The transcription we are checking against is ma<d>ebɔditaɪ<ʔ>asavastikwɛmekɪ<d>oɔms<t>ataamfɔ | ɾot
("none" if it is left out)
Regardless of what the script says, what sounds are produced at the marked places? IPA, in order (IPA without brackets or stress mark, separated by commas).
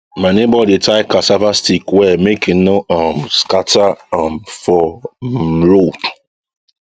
n, k, n, k